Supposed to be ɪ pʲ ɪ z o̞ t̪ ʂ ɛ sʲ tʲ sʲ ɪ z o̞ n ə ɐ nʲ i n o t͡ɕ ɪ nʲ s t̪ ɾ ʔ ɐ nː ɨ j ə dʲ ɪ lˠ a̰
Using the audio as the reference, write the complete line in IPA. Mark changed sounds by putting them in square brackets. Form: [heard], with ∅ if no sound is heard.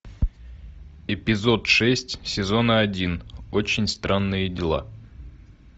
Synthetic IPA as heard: ɪ pʲ ɪ z o̞ t̪ ʂ ɛ sʲ tʲ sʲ ɪ z o̞ n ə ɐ [dʲ] i n o t͡ɕ ɪ nʲ s t̪ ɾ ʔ [a] nː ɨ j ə dʲ ɪ lˠ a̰

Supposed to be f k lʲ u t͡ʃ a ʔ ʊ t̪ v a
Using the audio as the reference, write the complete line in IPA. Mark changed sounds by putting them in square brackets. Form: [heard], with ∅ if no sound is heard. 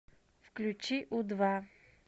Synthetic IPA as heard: f k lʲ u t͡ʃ [i] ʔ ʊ [d̪] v a

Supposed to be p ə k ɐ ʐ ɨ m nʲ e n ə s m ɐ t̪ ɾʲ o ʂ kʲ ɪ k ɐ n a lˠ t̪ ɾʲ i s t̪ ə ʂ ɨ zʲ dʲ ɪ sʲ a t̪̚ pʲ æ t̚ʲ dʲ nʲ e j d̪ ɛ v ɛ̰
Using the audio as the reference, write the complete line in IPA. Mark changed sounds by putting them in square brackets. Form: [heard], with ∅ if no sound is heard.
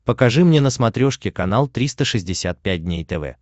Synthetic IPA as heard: p ə k ɐ ʐ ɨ m nʲ e n ə s m ɐ t̪ ɾʲ o ʂ kʲ ɪ k ɐ n a lˠ t̪ ɾʲ i s t̪ ə ʂ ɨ zʲ dʲ ɪ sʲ a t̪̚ pʲ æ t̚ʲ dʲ nʲ e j [t̪] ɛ v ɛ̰

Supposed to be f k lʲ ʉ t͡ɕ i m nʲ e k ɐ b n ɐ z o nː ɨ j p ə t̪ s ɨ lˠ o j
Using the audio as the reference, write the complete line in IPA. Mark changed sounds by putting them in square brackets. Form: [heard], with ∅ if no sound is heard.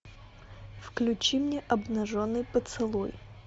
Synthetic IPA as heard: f k lʲ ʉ t͡ɕ i m nʲ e [ʔ] ɐ b n ɐ [ʐ] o nː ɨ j p ə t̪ s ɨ lˠ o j

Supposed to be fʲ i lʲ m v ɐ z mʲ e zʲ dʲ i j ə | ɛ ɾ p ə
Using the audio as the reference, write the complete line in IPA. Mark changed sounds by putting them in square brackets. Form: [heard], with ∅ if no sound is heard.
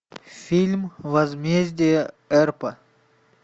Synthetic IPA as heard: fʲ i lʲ m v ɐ z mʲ e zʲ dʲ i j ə | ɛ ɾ p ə

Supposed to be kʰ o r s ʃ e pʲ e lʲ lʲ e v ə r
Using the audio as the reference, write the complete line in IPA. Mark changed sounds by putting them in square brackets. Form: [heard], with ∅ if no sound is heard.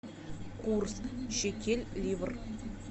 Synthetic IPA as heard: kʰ [u] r s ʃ e [kʲ] e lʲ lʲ [i] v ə r

